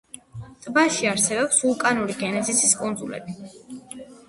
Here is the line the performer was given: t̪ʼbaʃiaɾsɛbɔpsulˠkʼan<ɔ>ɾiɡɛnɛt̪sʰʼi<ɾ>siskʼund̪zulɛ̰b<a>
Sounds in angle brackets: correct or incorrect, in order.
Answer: incorrect: u, incorrect: none, incorrect: i

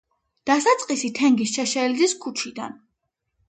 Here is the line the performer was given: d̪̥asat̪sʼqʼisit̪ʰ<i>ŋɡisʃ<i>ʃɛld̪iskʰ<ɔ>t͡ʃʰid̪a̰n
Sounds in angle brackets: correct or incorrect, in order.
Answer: incorrect: ɛ, incorrect: ɛ, incorrect: u

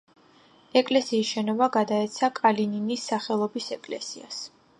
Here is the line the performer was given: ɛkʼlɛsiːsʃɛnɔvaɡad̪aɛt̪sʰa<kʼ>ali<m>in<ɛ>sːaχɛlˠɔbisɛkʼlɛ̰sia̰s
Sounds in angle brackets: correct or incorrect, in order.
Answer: correct, incorrect: n, incorrect: i

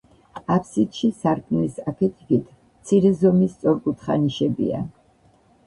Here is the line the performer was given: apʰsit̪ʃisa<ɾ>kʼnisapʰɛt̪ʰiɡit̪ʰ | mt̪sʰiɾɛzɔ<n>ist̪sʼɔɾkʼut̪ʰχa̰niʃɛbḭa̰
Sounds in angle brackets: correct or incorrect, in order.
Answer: correct, incorrect: m

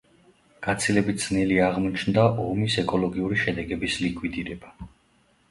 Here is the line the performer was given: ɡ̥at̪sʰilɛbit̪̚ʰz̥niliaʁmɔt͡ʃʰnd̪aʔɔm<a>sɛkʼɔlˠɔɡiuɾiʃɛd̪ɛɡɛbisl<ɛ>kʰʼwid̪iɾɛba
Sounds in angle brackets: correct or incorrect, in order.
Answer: incorrect: i, incorrect: i

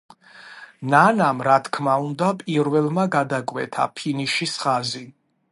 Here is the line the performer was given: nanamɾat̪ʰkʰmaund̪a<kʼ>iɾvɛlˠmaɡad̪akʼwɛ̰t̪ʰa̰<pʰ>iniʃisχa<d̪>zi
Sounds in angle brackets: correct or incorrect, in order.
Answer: incorrect: pʼ, correct, incorrect: none

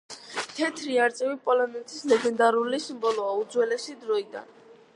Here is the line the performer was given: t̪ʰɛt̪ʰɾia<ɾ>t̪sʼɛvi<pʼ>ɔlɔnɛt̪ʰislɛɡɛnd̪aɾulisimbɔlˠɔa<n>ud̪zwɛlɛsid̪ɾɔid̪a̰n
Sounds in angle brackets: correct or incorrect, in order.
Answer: correct, correct, incorrect: none

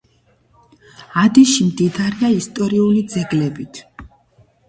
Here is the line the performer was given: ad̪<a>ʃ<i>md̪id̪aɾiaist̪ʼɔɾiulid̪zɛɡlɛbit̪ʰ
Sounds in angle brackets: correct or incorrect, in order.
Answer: incorrect: i, correct

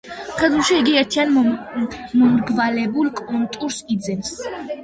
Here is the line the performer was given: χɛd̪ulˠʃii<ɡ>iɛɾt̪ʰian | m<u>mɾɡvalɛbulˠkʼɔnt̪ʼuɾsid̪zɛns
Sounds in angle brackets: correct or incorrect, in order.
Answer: correct, incorrect: ɔ

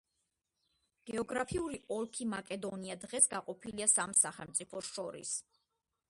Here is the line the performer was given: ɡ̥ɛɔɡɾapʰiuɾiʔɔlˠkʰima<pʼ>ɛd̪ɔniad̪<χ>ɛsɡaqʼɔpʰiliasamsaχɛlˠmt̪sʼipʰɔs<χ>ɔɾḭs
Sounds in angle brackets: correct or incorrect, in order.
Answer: incorrect: kʼ, incorrect: ʁ, incorrect: ʃ

